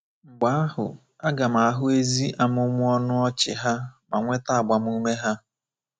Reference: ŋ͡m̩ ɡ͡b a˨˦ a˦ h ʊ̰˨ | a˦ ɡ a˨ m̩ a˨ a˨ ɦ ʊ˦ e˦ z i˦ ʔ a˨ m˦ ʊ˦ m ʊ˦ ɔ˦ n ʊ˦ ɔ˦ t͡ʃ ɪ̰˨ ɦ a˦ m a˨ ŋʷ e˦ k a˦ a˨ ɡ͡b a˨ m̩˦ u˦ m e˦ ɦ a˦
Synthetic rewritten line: ŋ͡m̩ ɡ͡b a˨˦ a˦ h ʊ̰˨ | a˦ ɡ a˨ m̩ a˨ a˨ ɦ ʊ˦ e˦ z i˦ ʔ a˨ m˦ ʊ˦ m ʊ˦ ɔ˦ n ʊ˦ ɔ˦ t͡ʃ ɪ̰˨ ɦ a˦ m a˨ ŋʷ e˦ t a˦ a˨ ɡ͡b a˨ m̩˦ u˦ m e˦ ɦ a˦

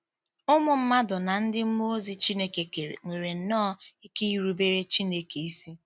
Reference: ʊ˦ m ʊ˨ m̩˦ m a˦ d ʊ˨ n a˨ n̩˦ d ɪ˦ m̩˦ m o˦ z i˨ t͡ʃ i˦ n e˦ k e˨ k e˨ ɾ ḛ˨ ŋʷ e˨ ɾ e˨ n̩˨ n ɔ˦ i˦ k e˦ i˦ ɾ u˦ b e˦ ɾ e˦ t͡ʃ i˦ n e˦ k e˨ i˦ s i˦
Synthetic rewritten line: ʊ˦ m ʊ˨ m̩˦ m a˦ d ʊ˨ n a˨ n̩˦ d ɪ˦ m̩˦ m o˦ z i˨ t͡ʃ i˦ n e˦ k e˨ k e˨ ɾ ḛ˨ ŋʷ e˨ ɾ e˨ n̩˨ n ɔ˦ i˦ k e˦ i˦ ɾ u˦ b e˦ ɾ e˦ t͡ʃ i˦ n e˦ k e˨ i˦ s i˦

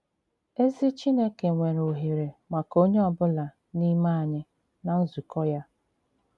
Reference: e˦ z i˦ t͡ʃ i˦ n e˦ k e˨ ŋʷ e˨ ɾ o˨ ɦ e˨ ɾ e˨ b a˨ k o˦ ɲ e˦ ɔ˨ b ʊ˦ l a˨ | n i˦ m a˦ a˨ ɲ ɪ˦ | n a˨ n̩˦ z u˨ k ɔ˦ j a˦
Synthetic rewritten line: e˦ z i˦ t͡ʃ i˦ n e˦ k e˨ ŋʷ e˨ ɾ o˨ ɦ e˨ ɾ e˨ m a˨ k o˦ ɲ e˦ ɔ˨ b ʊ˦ l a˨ | n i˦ m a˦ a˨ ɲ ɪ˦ | n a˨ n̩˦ z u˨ k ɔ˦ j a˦

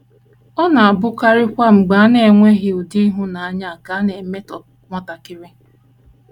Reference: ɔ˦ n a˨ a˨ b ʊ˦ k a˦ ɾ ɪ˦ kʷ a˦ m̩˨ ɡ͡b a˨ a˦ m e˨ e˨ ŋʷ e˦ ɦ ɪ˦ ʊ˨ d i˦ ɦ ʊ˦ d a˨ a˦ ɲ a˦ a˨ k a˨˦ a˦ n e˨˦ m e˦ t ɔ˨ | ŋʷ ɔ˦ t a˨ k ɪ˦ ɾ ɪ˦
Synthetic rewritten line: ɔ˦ n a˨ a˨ b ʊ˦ k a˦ ɾ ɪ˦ kʷ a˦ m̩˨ ɡ͡b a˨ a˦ n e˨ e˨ ŋʷ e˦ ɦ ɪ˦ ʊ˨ d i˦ ɦ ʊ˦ n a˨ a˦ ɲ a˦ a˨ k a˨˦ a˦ n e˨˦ m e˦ t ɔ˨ | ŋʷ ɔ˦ t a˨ k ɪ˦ ɾ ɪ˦

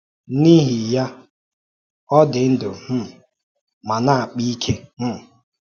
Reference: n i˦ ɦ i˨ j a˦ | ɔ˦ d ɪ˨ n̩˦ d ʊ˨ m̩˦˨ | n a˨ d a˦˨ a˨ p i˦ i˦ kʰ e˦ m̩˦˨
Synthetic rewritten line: n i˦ ɦ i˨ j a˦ | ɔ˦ d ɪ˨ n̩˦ d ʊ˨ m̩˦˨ | m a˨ n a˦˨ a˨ k͡p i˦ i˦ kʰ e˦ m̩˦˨

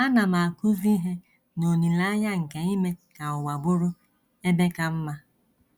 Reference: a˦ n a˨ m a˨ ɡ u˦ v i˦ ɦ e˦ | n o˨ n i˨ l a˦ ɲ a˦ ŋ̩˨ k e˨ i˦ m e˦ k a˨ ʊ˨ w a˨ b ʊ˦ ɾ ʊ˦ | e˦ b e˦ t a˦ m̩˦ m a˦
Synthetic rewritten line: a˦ n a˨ m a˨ k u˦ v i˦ ɦ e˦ | n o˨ n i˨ l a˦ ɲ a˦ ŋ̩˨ k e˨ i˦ m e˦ k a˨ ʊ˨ w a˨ b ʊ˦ ɾ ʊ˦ | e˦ b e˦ k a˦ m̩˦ m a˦

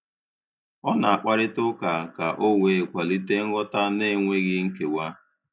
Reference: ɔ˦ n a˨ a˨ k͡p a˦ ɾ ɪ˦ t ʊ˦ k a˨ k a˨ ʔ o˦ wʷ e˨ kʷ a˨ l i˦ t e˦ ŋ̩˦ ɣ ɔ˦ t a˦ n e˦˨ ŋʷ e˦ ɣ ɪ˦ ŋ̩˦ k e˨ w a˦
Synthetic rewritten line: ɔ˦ n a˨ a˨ k͡p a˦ ɾ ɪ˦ t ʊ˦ k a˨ k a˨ ʔ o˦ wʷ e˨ kʷ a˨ l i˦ t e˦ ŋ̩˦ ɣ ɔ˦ t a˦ n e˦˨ ŋʷ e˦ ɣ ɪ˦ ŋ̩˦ k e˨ w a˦

